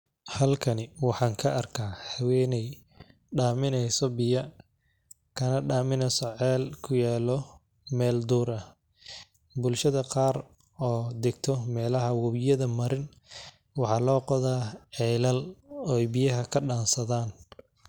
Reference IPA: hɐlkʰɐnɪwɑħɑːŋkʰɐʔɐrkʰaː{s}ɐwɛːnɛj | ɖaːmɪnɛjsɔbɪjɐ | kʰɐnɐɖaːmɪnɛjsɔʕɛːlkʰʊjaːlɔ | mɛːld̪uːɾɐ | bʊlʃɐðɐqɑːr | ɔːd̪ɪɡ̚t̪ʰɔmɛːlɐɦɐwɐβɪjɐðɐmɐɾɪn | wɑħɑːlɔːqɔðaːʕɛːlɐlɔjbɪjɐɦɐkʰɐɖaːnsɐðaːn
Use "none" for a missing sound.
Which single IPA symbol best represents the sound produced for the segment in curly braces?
h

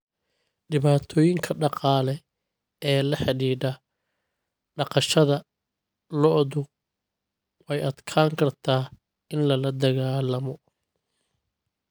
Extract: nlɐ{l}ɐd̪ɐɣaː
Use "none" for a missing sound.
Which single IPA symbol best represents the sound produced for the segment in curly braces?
l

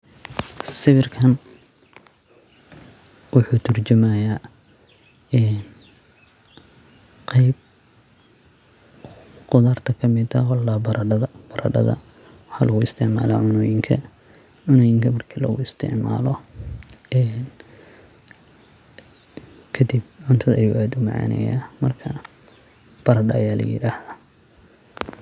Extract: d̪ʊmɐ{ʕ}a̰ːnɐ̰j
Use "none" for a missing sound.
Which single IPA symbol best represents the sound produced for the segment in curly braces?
ʕ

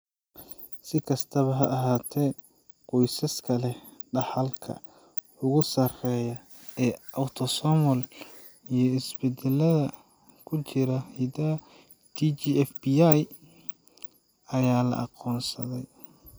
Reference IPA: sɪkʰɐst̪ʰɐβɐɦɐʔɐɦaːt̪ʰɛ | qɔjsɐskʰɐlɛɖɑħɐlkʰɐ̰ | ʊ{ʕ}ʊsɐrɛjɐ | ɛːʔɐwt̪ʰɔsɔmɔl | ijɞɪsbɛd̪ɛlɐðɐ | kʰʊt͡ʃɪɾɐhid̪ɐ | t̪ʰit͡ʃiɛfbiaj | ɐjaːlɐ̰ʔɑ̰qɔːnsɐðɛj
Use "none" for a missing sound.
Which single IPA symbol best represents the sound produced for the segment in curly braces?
ɣ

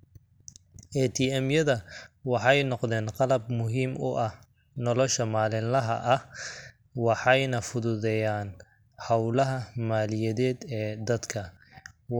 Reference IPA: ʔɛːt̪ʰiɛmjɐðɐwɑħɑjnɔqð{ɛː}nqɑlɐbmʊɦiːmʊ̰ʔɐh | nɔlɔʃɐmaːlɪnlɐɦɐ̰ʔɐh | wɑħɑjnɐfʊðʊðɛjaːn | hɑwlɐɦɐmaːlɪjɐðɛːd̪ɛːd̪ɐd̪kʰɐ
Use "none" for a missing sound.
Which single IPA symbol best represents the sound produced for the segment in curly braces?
ɛː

